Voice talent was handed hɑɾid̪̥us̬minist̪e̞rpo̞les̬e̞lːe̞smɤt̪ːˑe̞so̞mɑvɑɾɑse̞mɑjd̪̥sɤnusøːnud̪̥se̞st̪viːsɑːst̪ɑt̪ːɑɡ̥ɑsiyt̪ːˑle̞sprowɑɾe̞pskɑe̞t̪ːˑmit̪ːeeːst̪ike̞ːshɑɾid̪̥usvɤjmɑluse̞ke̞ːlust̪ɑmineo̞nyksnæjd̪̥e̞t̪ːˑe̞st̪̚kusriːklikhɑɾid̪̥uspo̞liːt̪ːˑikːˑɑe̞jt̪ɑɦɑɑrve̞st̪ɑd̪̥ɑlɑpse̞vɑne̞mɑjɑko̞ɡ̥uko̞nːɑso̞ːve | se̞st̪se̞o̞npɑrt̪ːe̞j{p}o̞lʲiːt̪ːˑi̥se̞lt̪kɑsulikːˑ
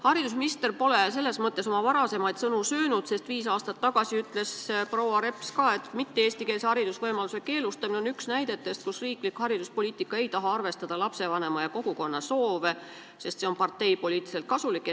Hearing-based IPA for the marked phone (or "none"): p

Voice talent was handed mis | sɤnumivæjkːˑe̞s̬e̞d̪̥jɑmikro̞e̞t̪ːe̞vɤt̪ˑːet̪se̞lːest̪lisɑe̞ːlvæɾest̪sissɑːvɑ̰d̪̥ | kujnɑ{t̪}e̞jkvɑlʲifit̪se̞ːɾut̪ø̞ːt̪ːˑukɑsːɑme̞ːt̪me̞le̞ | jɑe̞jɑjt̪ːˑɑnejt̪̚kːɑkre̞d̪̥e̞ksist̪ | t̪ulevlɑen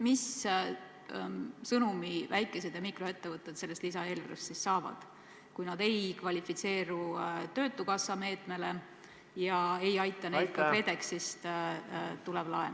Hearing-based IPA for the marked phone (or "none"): d̪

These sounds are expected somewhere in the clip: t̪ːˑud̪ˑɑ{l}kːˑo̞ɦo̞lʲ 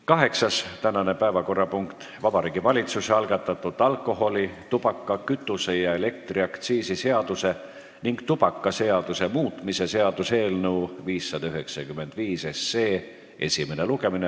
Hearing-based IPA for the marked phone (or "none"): l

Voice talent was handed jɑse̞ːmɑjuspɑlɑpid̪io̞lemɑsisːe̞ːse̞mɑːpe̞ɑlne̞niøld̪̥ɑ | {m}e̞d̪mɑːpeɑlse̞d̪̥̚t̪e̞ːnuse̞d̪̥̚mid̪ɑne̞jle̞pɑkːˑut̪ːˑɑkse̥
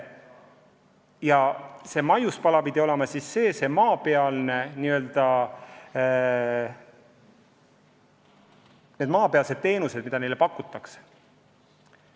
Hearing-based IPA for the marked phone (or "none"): n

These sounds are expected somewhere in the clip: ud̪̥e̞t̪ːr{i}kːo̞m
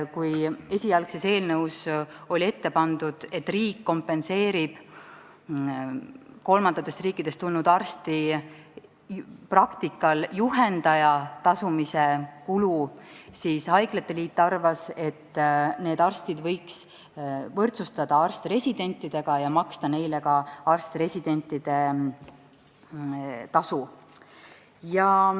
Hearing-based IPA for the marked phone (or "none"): iː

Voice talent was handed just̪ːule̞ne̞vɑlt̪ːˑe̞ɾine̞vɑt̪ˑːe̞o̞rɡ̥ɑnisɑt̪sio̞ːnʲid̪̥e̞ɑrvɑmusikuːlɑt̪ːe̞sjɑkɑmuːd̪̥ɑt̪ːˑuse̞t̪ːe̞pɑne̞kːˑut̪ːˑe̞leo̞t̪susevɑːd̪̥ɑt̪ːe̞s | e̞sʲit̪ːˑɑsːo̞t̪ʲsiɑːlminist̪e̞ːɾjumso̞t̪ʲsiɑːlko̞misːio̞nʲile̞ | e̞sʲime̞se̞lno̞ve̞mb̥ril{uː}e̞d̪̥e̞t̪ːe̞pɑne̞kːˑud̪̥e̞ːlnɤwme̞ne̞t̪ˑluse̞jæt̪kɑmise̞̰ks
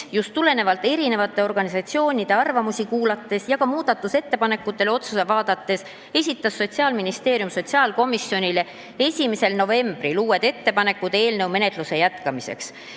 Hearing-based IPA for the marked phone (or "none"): uː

